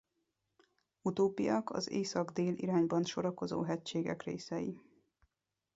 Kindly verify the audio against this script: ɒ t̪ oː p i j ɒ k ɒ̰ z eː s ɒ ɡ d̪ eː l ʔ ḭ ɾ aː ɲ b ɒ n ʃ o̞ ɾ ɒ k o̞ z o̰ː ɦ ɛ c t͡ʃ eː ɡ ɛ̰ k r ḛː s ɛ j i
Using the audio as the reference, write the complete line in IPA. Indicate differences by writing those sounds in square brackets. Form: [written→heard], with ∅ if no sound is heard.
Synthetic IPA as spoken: [ɒ→u] t̪ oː p i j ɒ k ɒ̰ z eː s ɒ ɡ d̪ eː l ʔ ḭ ɾ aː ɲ b ɒ n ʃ o̞ ɾ ɒ k o̞ z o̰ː ɦ ɛ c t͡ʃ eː ɡ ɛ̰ k r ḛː s ɛ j i